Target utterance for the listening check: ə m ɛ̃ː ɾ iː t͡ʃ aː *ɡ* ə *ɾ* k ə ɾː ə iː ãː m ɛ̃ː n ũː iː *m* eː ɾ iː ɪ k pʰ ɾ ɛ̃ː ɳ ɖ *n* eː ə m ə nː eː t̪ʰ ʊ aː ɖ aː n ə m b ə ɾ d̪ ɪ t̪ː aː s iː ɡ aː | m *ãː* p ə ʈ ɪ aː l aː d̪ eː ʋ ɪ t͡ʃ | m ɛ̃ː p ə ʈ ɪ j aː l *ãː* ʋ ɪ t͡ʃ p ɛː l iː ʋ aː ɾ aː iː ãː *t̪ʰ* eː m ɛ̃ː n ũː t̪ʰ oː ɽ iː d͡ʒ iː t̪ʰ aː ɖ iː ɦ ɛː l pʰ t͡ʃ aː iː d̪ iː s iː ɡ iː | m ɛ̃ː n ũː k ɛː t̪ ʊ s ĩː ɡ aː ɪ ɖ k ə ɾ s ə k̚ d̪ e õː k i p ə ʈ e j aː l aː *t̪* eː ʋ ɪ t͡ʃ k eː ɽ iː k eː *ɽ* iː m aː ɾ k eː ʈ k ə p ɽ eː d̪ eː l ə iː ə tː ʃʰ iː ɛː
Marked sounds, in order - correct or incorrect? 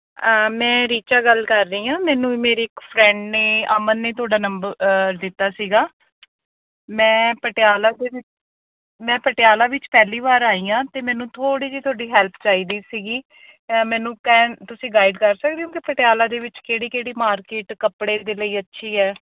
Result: correct, incorrect: l, correct, correct, incorrect: ɛ̃ː, incorrect: aː, incorrect: t̪, incorrect: d̪, correct

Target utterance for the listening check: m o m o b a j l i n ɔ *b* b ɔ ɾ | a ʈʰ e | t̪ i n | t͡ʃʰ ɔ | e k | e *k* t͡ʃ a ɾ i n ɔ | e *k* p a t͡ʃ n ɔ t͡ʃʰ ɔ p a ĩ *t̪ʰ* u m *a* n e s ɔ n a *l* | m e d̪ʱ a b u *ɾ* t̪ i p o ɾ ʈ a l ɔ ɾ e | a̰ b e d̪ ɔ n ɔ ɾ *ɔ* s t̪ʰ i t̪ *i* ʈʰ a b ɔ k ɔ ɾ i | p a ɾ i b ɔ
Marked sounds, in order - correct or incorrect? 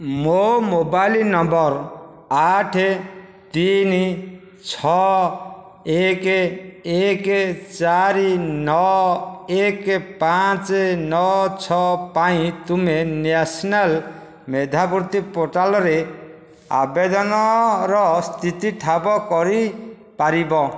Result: incorrect: m, correct, correct, incorrect: t̪, incorrect: e, correct, correct, correct, correct

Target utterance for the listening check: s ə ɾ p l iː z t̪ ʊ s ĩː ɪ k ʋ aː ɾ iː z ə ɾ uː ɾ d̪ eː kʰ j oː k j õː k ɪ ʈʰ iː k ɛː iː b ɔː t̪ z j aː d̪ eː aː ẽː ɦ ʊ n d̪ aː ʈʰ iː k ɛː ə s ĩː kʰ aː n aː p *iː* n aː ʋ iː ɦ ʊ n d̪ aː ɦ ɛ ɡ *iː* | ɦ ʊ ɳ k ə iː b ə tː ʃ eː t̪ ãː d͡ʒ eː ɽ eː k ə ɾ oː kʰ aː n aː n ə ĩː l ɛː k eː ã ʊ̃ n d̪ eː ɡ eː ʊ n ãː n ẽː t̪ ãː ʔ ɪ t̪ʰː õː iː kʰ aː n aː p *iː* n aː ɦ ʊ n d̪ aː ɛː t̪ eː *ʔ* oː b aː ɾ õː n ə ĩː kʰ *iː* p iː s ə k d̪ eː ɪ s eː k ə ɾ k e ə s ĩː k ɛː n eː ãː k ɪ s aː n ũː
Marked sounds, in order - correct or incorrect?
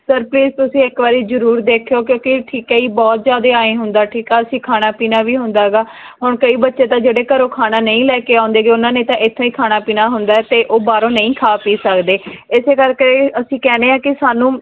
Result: correct, incorrect: aː, correct, correct, incorrect: aː

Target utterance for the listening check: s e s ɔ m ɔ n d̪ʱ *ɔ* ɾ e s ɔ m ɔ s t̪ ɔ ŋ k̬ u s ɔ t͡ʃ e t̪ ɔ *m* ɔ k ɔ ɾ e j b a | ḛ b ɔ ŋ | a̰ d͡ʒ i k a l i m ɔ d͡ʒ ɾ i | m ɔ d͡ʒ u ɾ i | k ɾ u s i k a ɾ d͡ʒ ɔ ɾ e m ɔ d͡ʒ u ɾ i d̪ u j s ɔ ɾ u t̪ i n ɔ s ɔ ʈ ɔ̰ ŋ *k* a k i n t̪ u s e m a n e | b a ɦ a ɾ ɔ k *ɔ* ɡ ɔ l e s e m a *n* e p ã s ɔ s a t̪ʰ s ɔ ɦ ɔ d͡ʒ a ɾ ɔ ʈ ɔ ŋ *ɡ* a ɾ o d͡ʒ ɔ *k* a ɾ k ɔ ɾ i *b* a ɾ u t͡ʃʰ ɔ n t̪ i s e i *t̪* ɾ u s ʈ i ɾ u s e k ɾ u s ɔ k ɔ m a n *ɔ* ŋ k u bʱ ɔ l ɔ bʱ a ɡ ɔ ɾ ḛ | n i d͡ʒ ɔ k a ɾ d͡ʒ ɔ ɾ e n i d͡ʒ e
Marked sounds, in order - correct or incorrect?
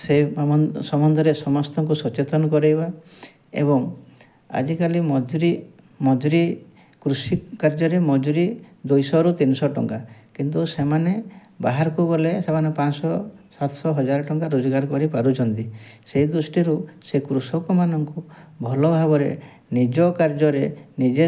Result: correct, incorrect: n, correct, incorrect: u, correct, incorrect: k, incorrect: ɡ, incorrect: p, incorrect: d̪, correct

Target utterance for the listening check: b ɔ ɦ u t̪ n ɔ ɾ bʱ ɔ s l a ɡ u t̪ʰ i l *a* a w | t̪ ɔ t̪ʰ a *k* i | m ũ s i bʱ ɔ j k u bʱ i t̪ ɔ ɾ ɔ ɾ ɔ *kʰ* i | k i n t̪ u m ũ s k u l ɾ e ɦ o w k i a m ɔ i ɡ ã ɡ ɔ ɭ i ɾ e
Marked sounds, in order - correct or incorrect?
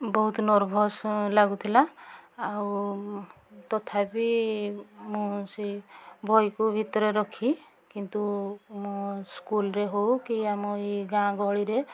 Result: correct, incorrect: p, correct

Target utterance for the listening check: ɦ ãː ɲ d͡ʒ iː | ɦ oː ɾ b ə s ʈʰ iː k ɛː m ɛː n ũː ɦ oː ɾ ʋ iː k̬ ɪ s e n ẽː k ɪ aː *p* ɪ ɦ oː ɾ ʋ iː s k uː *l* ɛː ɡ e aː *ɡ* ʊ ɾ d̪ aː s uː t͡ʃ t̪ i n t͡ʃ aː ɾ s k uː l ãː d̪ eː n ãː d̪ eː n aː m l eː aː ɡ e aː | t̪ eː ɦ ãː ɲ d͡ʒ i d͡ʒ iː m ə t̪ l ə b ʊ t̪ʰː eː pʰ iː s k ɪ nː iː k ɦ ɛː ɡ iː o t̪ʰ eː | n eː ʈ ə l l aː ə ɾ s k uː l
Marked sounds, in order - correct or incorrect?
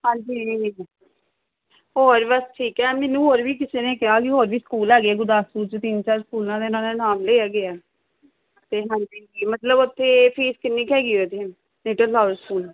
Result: incorrect: k, correct, correct

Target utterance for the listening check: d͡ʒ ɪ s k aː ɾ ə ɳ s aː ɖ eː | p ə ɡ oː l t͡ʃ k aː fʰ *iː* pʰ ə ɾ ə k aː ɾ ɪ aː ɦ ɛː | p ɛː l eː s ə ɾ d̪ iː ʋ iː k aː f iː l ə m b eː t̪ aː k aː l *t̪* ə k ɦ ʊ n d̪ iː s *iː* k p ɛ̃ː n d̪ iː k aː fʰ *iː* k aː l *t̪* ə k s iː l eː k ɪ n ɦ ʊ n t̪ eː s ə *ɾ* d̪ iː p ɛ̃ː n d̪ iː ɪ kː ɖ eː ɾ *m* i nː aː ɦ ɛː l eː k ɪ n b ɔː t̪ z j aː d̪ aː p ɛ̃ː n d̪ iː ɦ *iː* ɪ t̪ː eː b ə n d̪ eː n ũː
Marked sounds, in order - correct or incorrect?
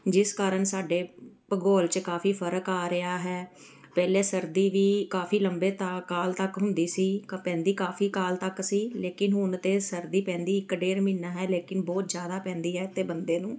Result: correct, correct, correct, correct, correct, correct, correct, incorrect: ɛː

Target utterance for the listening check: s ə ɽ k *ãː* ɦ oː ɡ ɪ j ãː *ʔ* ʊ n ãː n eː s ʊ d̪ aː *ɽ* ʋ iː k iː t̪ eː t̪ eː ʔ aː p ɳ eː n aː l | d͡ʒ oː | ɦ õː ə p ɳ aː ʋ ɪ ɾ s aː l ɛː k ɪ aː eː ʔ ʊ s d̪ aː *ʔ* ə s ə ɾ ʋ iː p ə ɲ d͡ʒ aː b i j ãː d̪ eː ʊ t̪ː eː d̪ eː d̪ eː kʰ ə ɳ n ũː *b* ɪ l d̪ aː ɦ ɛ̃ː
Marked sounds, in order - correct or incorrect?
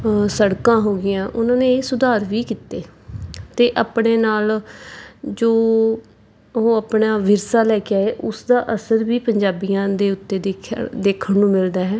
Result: correct, correct, incorrect: ɾ, correct, incorrect: m

